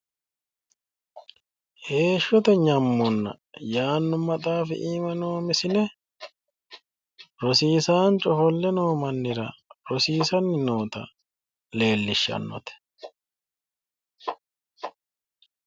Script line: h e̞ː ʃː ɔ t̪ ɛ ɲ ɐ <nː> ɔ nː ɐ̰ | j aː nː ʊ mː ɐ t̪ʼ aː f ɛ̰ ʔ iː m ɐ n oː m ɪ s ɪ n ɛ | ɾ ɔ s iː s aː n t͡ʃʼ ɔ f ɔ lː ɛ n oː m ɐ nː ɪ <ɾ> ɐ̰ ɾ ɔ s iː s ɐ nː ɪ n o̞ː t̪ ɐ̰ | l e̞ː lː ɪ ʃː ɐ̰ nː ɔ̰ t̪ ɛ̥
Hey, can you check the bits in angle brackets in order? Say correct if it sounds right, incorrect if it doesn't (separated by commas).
incorrect, correct